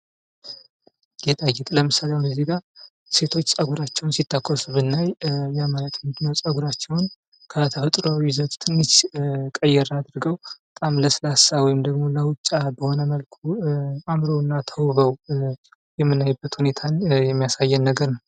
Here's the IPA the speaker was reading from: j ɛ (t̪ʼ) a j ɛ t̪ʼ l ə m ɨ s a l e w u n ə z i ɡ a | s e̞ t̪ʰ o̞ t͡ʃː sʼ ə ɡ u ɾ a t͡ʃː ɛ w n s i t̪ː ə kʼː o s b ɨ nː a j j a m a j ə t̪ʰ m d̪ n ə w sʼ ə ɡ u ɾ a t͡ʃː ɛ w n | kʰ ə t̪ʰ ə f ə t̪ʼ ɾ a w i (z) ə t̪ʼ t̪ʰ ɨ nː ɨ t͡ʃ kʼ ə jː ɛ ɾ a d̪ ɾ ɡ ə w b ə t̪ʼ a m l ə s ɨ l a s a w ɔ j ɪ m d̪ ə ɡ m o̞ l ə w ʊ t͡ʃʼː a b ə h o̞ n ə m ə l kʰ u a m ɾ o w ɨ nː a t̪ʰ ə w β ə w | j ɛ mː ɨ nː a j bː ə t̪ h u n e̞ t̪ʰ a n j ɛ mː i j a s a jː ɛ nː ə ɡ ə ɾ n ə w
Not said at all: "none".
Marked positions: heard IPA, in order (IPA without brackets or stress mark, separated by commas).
t̪ʼ, z